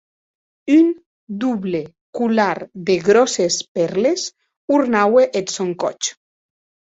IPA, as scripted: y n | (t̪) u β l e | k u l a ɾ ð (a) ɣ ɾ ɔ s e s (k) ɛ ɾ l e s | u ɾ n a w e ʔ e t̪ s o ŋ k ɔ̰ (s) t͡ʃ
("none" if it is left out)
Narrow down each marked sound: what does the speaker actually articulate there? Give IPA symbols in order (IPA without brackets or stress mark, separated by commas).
d̪, e, p, none